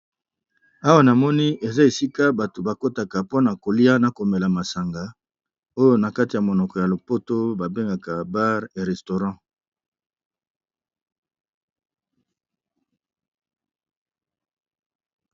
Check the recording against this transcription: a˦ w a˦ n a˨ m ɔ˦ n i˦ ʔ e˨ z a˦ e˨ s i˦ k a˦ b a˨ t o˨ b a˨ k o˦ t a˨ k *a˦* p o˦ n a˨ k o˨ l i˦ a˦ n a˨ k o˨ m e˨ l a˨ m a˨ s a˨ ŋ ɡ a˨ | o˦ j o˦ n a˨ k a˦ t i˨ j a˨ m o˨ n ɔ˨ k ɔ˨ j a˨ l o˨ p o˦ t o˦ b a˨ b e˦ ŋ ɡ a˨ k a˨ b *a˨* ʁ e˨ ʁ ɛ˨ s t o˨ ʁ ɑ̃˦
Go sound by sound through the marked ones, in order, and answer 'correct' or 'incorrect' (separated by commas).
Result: incorrect, incorrect